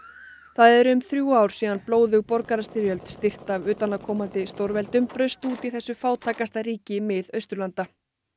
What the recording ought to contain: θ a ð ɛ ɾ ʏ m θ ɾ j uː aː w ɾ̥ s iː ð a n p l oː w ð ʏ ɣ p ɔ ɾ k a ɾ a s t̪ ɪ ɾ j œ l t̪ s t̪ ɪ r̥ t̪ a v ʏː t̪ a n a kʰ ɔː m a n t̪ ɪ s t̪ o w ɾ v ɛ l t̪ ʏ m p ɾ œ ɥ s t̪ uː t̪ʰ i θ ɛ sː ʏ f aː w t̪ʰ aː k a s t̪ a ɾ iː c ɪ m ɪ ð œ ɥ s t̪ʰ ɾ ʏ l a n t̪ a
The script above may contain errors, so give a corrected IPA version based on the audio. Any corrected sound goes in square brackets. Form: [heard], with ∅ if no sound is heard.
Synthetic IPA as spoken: θ a ð ɛ ɾ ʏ m θ ɾ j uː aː w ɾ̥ s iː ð a n p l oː w ð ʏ ɣ p ɔ ɾ k a ɾ a s t̪ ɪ ɾ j œ l t̪ s t̪ ɪ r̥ t̪ a v ʏː t̪ a n a kʰ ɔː m a n t̪ ɪ s t̪ o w ɾ v ɛ l t̪ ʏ m p ɾ œ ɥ s t̪ uː [t̪] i θ ɛ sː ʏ f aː w t̪ʰ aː k a s t̪ a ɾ iː c ɪ m ɪ ð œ ɥ s [t̪] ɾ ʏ l a n t̪ a